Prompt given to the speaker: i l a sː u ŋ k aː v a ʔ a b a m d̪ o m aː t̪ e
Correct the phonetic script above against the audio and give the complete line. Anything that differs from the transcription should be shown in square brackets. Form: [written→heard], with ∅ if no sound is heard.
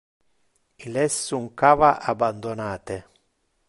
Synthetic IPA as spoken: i l [a→ɛ] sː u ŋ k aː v a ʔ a b a [m→n] d̪ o [m→n] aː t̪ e